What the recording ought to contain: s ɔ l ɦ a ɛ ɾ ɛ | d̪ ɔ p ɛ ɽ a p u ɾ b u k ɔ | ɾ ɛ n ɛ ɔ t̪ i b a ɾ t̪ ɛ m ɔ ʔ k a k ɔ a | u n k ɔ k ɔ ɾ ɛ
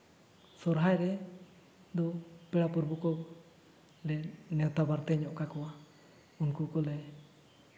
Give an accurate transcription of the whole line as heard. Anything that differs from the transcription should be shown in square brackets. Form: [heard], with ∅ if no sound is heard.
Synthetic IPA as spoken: s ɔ [ɾ] ɦ a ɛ ɾ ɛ | d̪ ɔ p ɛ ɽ a p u ɾ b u k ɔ | [l] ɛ n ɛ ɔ t̪ [a] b a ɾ t̪ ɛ [ɲ] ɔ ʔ k a k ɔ a | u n k [u] k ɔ [l] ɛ

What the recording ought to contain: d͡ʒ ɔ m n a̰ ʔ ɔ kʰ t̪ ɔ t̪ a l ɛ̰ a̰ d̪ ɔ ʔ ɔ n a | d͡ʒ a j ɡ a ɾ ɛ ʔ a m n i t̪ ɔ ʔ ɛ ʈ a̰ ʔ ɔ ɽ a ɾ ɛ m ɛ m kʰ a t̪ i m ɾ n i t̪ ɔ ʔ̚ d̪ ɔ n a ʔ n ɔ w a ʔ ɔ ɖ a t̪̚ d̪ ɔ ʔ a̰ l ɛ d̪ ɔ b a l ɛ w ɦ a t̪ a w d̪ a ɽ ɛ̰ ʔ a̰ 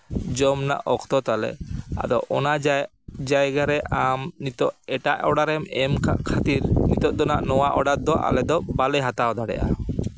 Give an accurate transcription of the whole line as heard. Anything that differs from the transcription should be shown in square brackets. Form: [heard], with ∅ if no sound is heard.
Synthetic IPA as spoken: d͡ʒ ɔ m n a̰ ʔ ɔ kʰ t̪ ɔ t̪ a l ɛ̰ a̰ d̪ ɔ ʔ ɔ n a | d͡ʒ a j ɡ a ɾ ɛ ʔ a m n i t̪ ɔ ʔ ɛ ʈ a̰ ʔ ɔ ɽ a ɾ ɛ m ɛ m kʰ a t̪ i [∅] ɾ n i t̪ ɔ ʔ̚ d̪ ɔ n a ʔ n ɔ w a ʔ ɔ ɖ a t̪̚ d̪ ɔ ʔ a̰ l ɛ d̪ ɔ b a l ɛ [∅] ɦ a t̪ a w d̪ a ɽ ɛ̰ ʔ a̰

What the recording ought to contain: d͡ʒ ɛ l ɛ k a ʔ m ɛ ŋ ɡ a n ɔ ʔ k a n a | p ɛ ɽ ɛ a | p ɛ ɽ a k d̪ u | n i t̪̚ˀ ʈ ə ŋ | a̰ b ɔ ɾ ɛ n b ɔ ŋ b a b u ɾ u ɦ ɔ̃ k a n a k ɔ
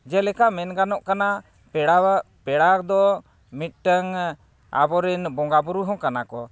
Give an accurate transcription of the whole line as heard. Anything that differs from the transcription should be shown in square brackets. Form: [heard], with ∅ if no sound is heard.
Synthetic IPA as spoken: d͡ʒ ɛ l ɛ k a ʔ m ɛ [n] ɡ a n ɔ ʔ k a n a | p ɛ ɽ [a] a | p ɛ ɽ a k d̪ [ɔ] | [m] i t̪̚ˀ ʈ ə ŋ | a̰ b ɔ ɾ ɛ n b ɔ ŋ [ɡ] a b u ɾ u ɦ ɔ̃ k a n a k ɔ

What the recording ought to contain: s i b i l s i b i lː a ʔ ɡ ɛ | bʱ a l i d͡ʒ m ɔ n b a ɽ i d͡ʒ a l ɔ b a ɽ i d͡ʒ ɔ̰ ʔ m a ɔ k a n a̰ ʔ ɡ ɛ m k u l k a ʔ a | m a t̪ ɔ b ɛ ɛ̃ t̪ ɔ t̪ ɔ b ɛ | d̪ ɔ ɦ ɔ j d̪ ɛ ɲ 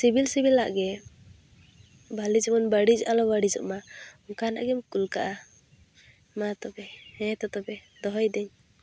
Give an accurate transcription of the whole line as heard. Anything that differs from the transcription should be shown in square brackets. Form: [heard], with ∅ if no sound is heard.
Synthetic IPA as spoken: s i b i l s i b i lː a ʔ ɡ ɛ | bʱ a l i d͡ʒ m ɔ n b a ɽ i d͡ʒ a l ɔ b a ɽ i d͡ʒ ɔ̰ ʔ m a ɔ k a n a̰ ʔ ɡ ɛ m k u l k a ʔ a | m a t̪ ɔ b ɛ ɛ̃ t̪ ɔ t̪ ɔ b ɛ | d̪ ɔ ɦ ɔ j d̪ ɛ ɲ

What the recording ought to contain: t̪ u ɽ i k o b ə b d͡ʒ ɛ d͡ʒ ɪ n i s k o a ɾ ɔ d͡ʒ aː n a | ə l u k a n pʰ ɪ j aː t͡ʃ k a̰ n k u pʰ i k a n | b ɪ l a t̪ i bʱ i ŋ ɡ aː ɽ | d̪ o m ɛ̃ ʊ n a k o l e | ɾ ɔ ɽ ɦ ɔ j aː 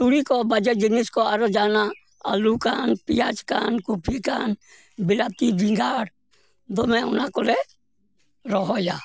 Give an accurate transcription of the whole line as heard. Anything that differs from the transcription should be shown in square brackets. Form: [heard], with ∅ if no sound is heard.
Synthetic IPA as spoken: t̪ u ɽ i k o b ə [∅] d͡ʒ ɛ d͡ʒ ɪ n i s k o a ɾ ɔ d͡ʒ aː n a | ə l u k a n [p] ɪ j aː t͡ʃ k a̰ n k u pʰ i k a n | b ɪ l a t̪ i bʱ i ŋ ɡ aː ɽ | d̪ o m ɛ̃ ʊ n a k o l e | ɾ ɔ [∅] ɦ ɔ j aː

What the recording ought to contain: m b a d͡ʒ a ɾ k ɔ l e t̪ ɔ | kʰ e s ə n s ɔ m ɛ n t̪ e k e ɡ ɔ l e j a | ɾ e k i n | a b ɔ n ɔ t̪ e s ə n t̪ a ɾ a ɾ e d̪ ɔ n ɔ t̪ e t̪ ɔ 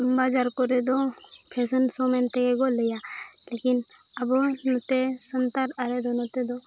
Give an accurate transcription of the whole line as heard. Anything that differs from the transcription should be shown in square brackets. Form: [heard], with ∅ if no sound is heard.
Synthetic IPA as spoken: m b a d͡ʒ a ɾ k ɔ [ɾ] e [d̪] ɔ | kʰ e s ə n s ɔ m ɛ n t̪ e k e ɡ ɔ l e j a | [l] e k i n | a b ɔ n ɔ t̪ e s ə n t̪ a ɾ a ɾ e d̪ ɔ n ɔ t̪ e [d̪] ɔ

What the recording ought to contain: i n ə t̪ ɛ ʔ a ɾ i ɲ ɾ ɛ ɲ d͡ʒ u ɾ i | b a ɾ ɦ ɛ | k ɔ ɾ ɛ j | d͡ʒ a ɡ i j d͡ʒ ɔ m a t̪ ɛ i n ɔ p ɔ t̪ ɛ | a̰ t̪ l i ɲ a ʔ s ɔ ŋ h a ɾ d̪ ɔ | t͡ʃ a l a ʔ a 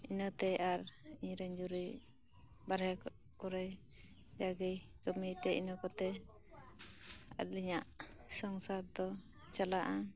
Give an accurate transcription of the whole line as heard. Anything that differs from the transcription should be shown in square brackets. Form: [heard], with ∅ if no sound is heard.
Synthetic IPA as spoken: i n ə t̪ ɛ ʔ a ɾ i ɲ ɾ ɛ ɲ d͡ʒ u ɾ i | b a ɾ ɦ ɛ | k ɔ ɾ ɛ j | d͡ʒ a ɡ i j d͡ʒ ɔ m [i] t̪ ɛ i n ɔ [k] ɔ t̪ ɛ | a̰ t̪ l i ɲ a ʔ s ɔ ŋ [s] a ɾ d̪ ɔ | t͡ʃ a l a ʔ a

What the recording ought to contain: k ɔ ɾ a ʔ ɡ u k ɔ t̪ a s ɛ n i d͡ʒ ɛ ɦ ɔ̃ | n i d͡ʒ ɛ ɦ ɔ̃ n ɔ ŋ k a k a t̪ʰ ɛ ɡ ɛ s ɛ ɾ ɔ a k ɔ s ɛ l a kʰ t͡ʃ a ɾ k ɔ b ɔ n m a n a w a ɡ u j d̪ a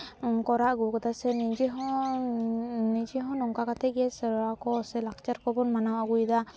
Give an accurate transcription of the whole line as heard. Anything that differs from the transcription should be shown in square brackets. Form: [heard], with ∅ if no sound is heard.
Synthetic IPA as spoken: k ɔ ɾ a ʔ ɡ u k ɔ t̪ a s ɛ n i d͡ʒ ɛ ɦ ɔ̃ | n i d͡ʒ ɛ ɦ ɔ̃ n ɔ ŋ k a k a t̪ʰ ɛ ɡ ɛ s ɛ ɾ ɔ a k ɔ s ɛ l a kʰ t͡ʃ a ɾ k ɔ b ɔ n m a n a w a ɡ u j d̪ a

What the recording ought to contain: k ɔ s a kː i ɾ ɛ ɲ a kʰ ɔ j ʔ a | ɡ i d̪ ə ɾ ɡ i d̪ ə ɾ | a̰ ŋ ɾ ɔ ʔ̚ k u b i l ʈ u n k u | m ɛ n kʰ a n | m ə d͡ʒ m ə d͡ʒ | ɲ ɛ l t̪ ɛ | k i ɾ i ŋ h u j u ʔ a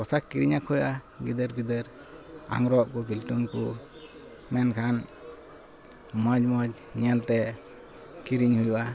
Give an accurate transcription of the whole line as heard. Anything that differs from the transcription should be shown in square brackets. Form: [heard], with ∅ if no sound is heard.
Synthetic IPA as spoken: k ɔ s a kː i ɾ [i] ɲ a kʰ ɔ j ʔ a | ɡ i d̪ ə ɾ ɡ i d̪ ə ɾ | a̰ ŋ ɾ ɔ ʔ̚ k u b i l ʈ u n k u | m ɛ n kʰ a n | m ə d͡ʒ m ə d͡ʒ | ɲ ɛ l t̪ ɛ | k i ɾ i [ɲ] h u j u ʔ a

